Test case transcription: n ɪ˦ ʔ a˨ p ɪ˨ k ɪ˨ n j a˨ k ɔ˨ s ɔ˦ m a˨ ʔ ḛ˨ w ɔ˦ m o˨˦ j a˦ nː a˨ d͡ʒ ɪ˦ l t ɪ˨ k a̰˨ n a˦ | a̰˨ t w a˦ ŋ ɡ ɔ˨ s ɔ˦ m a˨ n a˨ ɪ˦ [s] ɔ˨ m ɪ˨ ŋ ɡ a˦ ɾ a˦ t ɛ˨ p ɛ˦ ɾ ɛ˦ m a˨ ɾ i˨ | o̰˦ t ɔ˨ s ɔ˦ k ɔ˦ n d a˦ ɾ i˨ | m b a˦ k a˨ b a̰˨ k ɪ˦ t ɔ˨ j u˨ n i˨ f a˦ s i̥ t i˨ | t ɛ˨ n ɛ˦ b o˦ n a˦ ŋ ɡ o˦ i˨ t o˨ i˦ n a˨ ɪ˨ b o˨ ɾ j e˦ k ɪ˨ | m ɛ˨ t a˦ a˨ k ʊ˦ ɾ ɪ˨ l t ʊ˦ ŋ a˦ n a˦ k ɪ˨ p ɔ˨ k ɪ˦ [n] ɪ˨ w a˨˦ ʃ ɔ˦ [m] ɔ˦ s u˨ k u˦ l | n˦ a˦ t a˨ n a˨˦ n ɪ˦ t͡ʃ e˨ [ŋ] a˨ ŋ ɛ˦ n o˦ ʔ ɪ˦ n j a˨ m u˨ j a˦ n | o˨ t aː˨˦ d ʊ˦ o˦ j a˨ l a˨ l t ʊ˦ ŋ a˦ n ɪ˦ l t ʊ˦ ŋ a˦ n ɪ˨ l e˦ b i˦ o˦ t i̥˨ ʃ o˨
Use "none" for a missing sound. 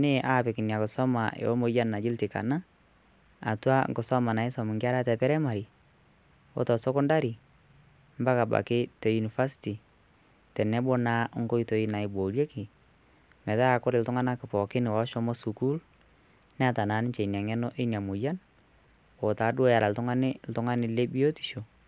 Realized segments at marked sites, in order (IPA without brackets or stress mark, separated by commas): s, n, m, n